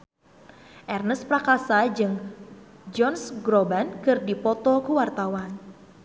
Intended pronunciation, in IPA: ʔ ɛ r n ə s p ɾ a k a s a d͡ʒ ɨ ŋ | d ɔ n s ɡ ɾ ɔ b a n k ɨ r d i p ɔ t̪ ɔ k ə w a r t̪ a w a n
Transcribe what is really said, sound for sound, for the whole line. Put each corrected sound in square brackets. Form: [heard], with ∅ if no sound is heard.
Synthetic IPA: ʔ ɛ r n ə s p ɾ a k a s a d͡ʒ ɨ ŋ | [d͡ʒ] ɔ n s ɡ ɾ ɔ b a n k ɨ r d i p ɔ t̪ ɔ k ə w a r t̪ a w a n